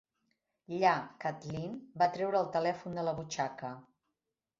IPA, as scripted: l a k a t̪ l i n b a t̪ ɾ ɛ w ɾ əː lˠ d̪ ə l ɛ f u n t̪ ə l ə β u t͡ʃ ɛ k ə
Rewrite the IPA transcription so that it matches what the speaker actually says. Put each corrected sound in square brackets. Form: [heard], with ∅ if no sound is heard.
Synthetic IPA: [ʎ] a k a t̪ l i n b a t̪ ɾ ɛ w ɾ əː lˠ [t̪] ə l ɛ f u n [d̪] ə l ə β u t͡ʃ [a] k ə